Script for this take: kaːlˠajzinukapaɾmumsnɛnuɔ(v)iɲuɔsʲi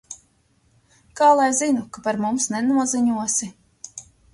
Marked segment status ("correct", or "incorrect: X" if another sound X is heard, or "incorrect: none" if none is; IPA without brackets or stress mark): incorrect: z